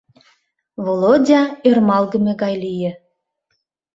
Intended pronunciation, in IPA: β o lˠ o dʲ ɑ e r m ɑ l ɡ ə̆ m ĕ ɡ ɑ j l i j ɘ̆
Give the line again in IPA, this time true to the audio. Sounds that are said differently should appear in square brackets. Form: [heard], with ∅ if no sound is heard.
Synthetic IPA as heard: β o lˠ o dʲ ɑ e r m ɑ l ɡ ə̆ m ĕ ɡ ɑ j l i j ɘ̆